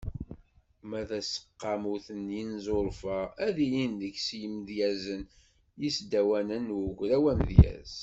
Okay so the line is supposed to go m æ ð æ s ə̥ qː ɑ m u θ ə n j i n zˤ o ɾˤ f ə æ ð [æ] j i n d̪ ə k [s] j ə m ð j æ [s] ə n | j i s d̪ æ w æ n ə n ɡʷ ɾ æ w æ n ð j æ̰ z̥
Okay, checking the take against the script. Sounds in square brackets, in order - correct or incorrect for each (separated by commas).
incorrect, correct, incorrect